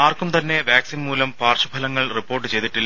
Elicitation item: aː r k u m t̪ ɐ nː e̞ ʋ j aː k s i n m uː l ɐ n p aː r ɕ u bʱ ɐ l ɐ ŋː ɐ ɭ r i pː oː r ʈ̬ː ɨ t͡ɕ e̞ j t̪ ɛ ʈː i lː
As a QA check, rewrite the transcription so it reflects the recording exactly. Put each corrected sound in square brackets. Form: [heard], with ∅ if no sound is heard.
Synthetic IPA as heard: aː r k u m t̪ ɐ nː e̞ ʋ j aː k s i n m uː l ɐ [m] p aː r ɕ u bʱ ɐ l ɐ ŋː ɐ ɭ r i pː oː r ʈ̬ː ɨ t͡ɕ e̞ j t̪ [i] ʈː i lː